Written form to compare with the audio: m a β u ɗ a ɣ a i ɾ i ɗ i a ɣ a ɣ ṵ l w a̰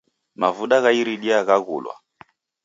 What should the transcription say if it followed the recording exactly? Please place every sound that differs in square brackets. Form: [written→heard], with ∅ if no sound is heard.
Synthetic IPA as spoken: m a [β→v] u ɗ a ɣ a i ɾ i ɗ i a ɣ a ɣ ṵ l w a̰